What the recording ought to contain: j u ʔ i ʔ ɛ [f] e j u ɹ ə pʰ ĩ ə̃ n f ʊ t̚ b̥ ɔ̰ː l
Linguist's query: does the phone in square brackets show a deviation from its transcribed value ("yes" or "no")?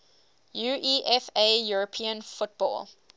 no